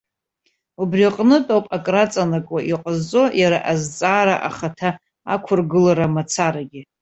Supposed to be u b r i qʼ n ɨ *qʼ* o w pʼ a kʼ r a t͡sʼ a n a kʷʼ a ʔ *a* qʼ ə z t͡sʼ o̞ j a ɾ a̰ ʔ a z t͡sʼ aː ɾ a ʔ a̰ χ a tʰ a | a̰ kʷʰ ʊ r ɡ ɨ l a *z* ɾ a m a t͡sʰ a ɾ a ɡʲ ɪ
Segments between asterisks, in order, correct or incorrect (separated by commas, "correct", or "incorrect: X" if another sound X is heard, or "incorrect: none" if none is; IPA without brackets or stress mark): incorrect: tʼ, incorrect: i, incorrect: none